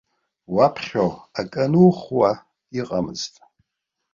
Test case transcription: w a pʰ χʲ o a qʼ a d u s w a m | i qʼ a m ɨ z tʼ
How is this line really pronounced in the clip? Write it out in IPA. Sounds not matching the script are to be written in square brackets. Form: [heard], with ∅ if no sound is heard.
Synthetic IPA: w a pʰ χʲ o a [kʼ] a [n] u [χ] w a [∅] | i qʼ a m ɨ z tʼ